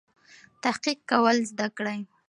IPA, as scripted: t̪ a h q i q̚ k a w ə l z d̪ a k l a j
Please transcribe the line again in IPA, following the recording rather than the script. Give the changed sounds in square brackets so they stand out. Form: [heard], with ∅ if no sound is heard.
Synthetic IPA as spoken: t̪ a h q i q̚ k a w ə l z d̪ a k [ɽ] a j